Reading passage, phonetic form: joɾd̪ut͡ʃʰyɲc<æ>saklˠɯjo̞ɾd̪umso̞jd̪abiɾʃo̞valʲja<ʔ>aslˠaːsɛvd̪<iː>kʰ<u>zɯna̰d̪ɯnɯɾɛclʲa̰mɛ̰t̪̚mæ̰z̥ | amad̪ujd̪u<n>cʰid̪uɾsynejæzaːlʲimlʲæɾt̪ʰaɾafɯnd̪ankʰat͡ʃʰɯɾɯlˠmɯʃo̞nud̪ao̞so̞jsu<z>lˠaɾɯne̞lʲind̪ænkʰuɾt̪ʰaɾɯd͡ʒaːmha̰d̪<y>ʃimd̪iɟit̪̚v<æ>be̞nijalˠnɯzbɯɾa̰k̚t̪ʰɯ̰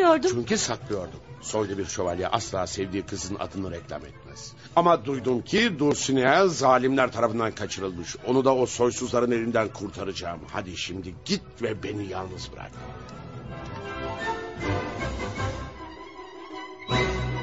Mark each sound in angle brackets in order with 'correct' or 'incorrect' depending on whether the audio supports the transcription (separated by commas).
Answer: incorrect, correct, correct, incorrect, incorrect, correct, incorrect, incorrect